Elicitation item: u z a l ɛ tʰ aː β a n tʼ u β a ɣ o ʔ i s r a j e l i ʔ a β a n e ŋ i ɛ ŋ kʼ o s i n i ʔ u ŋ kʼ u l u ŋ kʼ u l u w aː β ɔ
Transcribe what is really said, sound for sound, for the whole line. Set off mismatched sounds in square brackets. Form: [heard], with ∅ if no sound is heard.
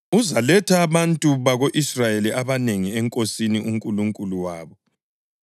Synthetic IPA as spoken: u z a l ɛ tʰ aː β a n tʼ u β a ɣ o ʔ i s r a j e l i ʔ a β a n e ŋ i ɛ ŋ kʼ o s i n i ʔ u ŋ kʼ u l u ŋ kʼ u l u w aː β ɔ